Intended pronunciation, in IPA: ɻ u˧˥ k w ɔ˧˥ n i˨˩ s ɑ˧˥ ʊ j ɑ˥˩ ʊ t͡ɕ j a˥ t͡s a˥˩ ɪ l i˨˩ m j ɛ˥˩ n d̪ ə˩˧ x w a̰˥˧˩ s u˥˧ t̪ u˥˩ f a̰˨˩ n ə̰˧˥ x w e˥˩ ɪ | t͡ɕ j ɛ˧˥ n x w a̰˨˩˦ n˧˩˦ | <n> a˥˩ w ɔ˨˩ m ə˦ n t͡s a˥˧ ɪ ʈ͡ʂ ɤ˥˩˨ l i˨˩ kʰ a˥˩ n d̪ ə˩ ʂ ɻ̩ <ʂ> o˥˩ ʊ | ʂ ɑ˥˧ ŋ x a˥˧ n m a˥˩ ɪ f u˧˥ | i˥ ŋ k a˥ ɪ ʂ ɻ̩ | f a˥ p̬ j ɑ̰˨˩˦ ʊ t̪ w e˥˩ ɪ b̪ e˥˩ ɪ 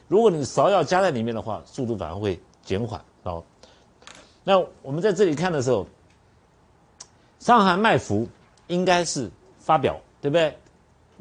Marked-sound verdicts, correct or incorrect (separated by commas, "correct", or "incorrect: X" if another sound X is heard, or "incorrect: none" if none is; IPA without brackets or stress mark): correct, incorrect: x